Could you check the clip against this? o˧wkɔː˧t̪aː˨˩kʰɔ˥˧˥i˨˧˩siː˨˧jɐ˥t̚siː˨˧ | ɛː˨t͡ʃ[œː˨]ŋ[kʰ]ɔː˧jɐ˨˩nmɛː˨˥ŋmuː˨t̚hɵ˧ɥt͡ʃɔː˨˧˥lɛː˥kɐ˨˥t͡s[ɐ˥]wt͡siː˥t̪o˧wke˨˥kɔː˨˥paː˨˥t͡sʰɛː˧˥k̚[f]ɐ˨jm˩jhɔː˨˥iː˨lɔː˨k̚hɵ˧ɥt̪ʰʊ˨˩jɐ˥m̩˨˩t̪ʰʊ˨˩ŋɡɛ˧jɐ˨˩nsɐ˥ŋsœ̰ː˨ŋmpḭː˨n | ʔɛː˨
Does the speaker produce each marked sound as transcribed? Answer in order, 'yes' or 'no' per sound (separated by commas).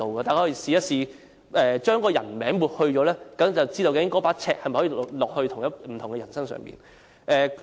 no, no, no, no